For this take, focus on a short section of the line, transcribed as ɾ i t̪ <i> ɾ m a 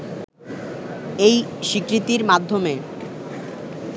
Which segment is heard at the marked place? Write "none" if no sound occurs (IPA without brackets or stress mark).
i